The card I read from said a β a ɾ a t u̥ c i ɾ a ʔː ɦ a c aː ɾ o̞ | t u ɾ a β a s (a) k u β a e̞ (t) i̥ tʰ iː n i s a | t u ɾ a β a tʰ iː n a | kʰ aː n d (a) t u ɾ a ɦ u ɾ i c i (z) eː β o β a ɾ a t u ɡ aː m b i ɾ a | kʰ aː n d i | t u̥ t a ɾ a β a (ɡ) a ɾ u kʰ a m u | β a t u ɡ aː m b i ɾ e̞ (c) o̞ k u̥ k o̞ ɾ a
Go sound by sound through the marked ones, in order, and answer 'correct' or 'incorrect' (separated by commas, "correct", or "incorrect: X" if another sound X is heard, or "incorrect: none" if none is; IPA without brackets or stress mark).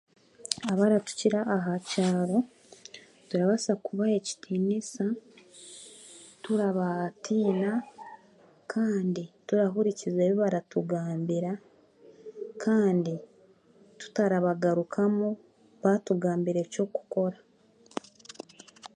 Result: correct, incorrect: c, incorrect: i, correct, correct, correct